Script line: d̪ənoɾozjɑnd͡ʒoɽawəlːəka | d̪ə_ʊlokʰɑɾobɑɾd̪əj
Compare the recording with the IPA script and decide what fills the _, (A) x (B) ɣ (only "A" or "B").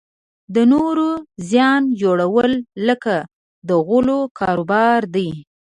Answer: B